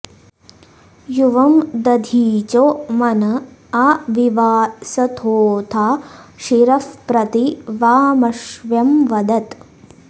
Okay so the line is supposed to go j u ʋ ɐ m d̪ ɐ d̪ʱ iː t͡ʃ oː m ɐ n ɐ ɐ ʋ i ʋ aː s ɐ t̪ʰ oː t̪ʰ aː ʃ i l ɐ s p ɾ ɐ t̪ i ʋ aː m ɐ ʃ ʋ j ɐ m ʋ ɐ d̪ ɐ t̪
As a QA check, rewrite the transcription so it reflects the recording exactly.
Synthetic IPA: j u ʋ ɐ m d̪ ɐ d̪ʱ iː t͡ʃ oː m ɐ n ɐ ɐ ʋ i ʋ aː s ɐ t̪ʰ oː t̪ʰ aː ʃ i ɾ ɐ f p ɾ ɐ t̪ i ʋ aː m ɐ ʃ ʋ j ɐ m ʋ ɐ d̪ ɐ t̪

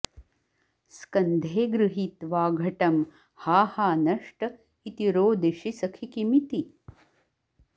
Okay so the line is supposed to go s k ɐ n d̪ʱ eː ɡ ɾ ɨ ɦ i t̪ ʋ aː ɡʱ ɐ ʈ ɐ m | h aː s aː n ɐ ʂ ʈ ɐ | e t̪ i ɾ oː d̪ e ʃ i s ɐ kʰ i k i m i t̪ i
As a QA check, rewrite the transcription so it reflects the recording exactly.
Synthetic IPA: s k ɐ n d̪ʱ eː ɡ ɾ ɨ ɦ i t̪ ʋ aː ɡʱ ɐ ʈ ɐ m | h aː h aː n ɐ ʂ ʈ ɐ | i t̪ i ɾ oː d̪ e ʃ i s ɐ kʰ i k i m i t̪ i

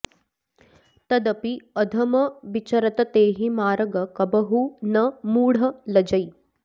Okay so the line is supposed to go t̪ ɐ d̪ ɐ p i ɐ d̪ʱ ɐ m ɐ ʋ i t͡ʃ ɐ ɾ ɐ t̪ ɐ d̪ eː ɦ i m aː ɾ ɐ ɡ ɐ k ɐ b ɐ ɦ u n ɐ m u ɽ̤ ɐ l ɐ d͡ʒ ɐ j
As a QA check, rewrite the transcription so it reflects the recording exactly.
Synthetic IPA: t̪ ɐ d̪ ɐ p i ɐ d̪ʱ ɐ m ɐ ʋ i t͡ʃ ɐ ɾ ɐ t̪ ɐ t̪ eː ɦ i m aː ɾ ɐ ɡ ɐ k ɐ b ɐ ɦ u n ɐ m uː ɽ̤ ɐ l ɐ d͡ʒ ɐ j

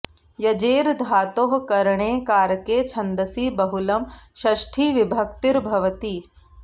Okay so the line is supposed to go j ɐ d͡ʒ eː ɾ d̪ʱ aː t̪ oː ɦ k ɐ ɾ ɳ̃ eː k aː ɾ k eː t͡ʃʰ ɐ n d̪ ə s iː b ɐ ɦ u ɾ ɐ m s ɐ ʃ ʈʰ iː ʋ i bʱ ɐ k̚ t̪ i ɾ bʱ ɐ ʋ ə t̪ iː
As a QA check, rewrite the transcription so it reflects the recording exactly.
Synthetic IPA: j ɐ d͡ʒ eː ɾ d̪ʱ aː t̪ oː ɦ k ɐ ɾ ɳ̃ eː k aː ɾ k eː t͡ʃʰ ɐ n d̪ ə s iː b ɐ ɦ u l ɐ m ʃ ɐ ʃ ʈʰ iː ʋ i bʱ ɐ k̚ t̪ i ɾ bʱ ɐ ʋ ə t̪ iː

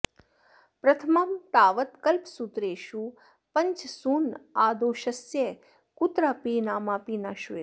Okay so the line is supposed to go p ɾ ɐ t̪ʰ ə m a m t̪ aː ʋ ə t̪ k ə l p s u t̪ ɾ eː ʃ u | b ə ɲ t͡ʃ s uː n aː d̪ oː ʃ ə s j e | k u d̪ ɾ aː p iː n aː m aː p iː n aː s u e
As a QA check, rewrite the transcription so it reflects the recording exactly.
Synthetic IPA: p ɾ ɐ t̪ʰ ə m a m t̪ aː ʋ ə t̪ k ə l p s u t̪ ɾ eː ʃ u | p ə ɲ t͡ʃ s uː n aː d̪ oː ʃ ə s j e | k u t̪ ɾ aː p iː n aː m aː p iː n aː ʃ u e

